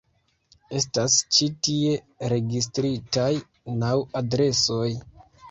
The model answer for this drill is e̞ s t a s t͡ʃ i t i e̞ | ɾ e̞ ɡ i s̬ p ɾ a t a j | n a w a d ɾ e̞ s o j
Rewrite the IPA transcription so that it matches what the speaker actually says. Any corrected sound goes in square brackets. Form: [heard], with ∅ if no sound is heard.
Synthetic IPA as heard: e̞ s t a s t͡ʃ i t i e̞ | ɾ e̞ ɡ i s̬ [t] ɾ [i] t a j | n a w a d ɾ e̞ s o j